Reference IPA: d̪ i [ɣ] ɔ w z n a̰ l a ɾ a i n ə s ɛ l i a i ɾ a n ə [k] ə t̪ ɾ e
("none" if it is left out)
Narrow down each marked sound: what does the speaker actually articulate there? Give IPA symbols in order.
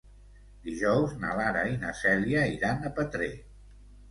ʒ, p

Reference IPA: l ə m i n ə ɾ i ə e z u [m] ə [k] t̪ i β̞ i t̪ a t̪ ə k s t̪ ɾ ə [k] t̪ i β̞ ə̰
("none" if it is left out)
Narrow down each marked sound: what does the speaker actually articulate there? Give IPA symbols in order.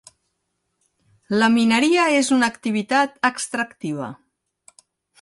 n, k, k

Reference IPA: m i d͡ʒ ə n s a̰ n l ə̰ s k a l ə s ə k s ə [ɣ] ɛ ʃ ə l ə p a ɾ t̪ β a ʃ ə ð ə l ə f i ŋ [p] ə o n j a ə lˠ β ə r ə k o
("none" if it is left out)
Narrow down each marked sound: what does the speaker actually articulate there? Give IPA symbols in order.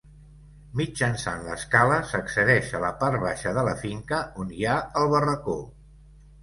ð, k

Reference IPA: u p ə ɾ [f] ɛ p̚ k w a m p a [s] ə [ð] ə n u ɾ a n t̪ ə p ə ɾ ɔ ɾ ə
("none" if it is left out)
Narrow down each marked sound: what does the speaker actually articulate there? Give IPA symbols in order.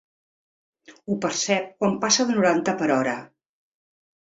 s, s, ð

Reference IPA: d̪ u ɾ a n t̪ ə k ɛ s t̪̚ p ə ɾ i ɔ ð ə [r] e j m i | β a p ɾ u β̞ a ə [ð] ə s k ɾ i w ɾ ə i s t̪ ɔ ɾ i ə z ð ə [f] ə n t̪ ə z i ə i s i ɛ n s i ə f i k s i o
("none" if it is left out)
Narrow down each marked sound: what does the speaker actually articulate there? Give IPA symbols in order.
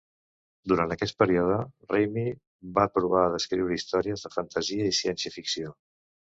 r, ð, f

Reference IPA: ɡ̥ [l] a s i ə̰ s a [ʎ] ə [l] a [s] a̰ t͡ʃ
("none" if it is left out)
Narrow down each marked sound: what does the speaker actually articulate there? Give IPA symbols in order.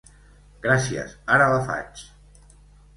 ɾ, ɾ, l, f

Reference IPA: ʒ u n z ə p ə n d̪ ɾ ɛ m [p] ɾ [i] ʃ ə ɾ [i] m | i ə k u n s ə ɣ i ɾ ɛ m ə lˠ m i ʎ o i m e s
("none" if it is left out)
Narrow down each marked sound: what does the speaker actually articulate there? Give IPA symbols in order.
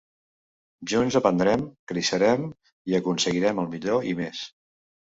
k, i, ɛ

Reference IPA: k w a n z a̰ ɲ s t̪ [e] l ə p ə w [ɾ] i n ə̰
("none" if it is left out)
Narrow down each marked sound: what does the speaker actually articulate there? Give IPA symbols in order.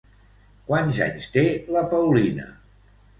e, l

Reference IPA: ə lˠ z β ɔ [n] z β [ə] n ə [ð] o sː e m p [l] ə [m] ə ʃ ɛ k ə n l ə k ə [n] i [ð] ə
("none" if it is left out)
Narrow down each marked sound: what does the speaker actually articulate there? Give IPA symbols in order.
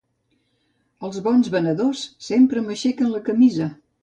n, ə, ð, ɾ, m, m, z

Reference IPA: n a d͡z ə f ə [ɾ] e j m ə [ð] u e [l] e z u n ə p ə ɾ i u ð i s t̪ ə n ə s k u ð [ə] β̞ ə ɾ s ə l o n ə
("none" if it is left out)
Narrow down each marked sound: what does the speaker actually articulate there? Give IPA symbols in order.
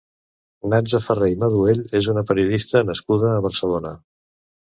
r, ð, ʎ, əː

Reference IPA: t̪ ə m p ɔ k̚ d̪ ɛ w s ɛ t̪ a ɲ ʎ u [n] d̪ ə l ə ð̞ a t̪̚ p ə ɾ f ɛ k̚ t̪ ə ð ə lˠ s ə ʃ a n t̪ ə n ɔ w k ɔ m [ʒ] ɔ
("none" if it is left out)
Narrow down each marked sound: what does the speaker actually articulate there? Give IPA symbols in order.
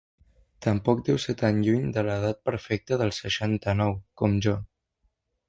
ɲ, ʒ

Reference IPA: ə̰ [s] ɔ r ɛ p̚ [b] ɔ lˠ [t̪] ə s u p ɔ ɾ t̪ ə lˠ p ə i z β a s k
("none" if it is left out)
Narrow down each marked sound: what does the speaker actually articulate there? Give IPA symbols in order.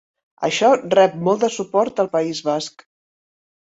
ʃ, m, d̪

